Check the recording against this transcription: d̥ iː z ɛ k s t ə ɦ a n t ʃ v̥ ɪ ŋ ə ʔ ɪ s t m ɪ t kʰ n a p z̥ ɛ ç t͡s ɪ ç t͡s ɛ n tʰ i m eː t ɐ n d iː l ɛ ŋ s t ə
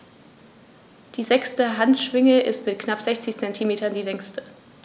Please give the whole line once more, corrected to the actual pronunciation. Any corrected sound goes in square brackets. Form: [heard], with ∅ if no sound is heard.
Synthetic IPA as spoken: d̥ iː z ɛ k s t ə ɦ a n t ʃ v̥ ɪ ŋ ə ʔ ɪ s t m ɪ t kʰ n a p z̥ ɛ ç t͡s ɪ ç t͡s ɛ n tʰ i m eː t ɐ n d iː l ɛ ŋ s t ə

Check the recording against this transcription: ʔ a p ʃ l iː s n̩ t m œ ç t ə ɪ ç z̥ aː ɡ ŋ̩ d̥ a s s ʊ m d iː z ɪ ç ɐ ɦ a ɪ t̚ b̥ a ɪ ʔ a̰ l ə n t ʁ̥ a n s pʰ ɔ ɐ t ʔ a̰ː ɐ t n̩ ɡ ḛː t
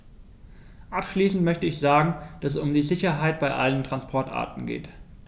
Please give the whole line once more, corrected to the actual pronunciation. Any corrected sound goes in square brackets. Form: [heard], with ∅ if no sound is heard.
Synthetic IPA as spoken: ʔ a p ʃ l iː s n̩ t m œ ç t ə ɪ ç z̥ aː ɡ ŋ̩ d̥ a s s ʊ m d iː z ɪ ç ɐ ɦ a ɪ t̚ b̥ a ɪ ʔ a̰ l ə n t ʁ̥ a n s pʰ ɔ ɐ t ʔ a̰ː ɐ t n̩ ɡ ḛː t

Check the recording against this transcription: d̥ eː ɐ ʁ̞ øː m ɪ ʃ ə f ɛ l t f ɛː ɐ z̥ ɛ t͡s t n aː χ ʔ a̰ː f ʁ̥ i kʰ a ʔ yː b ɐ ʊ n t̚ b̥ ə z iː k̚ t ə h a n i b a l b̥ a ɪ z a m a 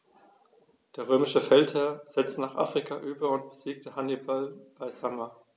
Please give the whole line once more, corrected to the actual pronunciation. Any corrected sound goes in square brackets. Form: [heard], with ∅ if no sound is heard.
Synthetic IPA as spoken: d̥ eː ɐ ʁ̞ øː m ɪ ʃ ə f ɛ l t [h] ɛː ɐ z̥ ɛ t͡s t n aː χ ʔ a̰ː f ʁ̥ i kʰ a ʔ yː b ɐ ʊ n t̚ b̥ ə z iː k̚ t ə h a n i b a l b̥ a ɪ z a m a

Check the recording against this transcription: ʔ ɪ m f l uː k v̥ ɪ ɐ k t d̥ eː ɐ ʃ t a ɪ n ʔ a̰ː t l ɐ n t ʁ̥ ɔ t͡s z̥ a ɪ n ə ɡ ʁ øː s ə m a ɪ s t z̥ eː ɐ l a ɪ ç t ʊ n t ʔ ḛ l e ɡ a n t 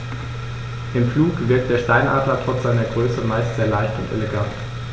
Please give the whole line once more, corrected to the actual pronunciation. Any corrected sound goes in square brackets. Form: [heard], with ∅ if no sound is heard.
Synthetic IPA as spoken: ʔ ɪ m f l uː k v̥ ɪ ɐ k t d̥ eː ɐ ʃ t a ɪ n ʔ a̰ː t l ɐ [∅] t ʁ̥ ɔ t͡s z̥ a ɪ n [ɐ] ɡ ʁ øː s ə m a ɪ s t z̥ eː ɐ l a ɪ ç t ʊ n t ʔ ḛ l e ɡ a n t

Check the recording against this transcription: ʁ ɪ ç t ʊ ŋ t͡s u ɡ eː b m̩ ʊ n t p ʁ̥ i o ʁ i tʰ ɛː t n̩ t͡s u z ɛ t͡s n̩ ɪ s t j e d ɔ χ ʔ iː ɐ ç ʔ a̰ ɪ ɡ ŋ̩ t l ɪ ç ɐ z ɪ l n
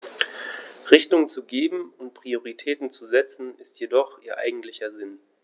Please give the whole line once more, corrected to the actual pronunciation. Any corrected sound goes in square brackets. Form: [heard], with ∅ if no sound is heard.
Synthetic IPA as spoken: ʁ ɪ ç t ʊ ŋ t͡s u ɡ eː b m̩ ʊ n t p ʁ̥ i o ʁ i tʰ ɛː t n̩ t͡s u z ɛ t͡s n̩ ɪ s t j e d ɔ χ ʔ iː ɐ [∅] ʔ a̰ ɪ ɡ ŋ̩ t l ɪ ç ɐ z ɪ [∅] n

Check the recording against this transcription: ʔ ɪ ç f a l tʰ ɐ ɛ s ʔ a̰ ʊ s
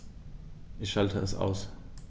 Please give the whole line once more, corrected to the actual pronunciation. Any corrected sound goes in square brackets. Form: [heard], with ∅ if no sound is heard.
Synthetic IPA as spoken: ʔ ɪ ç [ʃ] a l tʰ [ə] ɛ s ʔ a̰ ʊ s

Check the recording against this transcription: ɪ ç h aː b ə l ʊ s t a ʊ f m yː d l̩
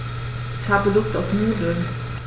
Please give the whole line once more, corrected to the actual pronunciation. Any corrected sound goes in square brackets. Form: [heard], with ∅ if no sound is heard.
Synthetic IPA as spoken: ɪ ç h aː b ə l ʊ s t a ʊ f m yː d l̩

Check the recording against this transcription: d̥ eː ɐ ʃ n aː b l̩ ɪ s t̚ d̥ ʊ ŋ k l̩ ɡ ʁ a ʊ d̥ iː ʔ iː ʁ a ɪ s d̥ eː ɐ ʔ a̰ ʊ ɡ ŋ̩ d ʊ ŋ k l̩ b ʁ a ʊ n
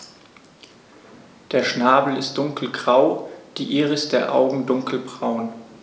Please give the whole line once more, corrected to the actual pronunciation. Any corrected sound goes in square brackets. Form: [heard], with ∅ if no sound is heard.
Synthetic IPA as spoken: d̥ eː ɐ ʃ n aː b l̩ ɪ s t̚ d̥ ʊ ŋ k l̩ ɡ ʁ a ʊ d̥ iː ʔ iː ʁ [ə] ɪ s d̥ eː ɐ ʔ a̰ ʊ ɡ ŋ̩ d ʊ ŋ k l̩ b ʁ a ʊ n

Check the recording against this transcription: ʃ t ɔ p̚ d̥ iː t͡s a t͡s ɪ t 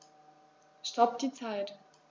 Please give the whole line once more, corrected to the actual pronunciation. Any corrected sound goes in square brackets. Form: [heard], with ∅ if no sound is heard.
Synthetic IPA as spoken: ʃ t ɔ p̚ d̥ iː t͡s a [∅] ɪ t

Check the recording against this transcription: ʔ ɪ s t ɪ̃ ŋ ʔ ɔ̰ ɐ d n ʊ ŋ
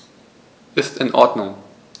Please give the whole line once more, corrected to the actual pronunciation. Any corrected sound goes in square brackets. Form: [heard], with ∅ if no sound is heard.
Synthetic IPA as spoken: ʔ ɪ s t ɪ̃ [n] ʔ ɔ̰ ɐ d n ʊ ŋ

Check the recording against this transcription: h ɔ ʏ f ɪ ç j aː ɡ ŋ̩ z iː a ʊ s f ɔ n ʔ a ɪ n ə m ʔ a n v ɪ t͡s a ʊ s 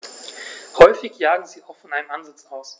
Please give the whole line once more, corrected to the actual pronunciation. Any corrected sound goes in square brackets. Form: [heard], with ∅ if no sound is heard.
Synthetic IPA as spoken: h ɔ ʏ f ɪ ç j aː ɡ ŋ̩ z iː a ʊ [x] f ɔ n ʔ a ɪ n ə m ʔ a n [z] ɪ t͡s a ʊ s

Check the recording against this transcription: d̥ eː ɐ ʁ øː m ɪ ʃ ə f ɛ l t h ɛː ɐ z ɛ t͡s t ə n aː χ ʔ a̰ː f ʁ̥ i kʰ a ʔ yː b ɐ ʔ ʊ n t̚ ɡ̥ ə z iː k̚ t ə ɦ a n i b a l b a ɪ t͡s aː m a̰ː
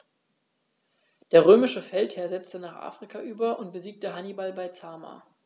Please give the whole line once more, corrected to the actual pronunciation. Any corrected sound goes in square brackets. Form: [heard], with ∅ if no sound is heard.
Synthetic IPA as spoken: d̥ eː ɐ ʁ øː m ɪ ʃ ə f ɛ l t h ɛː ɐ z ɛ t͡s t ə n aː χ ʔ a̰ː f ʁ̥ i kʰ a ʔ yː b ɐ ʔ ʊ n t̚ [b̥] ə z iː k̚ t ə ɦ a n i b a l b a ɪ t͡s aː m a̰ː

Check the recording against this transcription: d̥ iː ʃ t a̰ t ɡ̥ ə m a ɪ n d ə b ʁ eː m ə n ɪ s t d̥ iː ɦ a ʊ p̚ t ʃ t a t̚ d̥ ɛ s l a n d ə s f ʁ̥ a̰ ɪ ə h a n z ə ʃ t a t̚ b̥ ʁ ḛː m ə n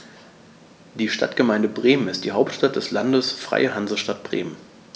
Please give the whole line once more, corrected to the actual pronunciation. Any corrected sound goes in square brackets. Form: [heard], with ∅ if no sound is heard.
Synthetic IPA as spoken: d̥ iː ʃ t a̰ t ɡ̥ ə m a ɪ n d ə b ʁ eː m ə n ɪ s t d̥ iː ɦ a ʊ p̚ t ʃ t a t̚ d̥ ɛ s l a n d ə s f ʁ̥ a̰ ɪ ə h a n z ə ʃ t a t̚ b̥ ʁ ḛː m ə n

